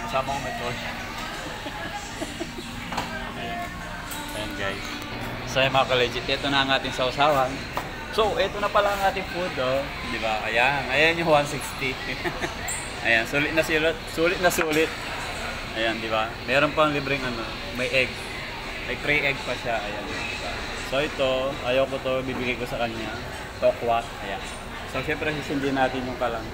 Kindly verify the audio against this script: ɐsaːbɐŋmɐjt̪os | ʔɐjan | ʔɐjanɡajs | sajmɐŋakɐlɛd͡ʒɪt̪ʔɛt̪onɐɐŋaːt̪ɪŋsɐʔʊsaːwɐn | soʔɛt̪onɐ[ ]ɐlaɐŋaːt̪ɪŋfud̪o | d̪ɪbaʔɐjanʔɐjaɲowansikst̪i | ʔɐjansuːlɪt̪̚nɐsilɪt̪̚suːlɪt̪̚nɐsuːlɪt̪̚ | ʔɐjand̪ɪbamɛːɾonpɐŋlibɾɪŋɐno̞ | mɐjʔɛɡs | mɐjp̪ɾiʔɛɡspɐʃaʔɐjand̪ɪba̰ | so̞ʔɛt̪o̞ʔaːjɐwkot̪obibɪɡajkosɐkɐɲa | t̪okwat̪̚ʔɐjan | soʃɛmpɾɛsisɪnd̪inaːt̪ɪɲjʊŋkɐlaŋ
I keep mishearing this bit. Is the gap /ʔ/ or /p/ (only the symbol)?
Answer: p